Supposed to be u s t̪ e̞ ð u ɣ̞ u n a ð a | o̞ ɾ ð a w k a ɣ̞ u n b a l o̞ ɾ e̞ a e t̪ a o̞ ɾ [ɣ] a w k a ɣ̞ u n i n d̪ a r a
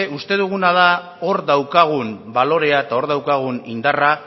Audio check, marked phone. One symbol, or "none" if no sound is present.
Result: ð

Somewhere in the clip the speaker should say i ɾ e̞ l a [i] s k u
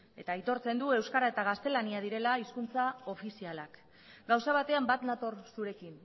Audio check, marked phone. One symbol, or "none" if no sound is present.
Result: i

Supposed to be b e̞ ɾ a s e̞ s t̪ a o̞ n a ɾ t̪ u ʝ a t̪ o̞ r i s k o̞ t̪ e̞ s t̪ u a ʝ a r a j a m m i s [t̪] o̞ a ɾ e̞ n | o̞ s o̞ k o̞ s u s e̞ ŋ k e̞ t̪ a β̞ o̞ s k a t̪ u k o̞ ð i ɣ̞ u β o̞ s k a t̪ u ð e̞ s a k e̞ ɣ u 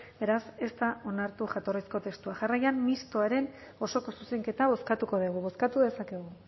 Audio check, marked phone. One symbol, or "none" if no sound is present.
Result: t̪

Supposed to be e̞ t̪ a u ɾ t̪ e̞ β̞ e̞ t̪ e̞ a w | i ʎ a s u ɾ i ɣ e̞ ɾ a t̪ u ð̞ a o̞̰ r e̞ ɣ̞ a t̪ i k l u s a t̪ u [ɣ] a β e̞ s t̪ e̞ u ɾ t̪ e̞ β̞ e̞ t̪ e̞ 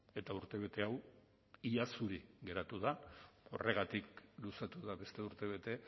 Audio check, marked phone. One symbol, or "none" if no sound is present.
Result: ð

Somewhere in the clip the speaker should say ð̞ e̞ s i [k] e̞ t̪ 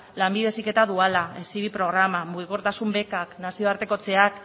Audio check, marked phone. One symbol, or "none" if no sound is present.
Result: k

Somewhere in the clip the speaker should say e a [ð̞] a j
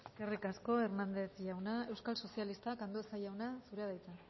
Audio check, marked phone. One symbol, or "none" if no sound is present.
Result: ð̞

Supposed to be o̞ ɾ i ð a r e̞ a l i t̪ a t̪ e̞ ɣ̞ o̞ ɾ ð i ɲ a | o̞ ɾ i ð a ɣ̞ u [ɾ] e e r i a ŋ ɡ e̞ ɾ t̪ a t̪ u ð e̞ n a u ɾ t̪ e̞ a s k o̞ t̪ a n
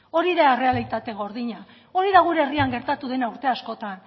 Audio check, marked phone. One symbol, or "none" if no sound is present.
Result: ɾ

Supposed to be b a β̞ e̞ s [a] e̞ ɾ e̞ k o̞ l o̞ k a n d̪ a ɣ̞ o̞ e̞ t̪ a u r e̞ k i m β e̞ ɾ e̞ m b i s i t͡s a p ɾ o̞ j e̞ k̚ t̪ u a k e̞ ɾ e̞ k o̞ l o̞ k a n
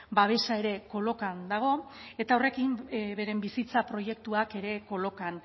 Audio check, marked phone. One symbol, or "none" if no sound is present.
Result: a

